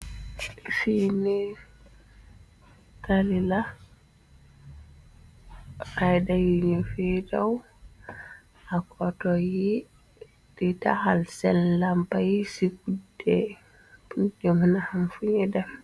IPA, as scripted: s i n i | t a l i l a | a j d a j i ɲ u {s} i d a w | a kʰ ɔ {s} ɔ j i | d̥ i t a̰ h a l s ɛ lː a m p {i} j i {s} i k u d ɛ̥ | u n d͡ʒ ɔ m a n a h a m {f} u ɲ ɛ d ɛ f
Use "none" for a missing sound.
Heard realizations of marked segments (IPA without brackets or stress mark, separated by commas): f, t, a, s, f